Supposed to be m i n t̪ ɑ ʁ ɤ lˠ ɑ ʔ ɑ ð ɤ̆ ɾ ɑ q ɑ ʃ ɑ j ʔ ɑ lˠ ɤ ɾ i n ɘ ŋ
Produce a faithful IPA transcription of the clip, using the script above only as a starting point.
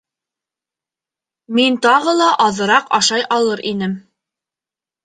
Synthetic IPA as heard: m i n t̪ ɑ ʁ ɤ lˠ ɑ ʔ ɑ ð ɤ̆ ɾ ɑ q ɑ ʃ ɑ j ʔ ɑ lˠ ɤ ɾ i n ɘ m